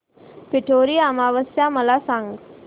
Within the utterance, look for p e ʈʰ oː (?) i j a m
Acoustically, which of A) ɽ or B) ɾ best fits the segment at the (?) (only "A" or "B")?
B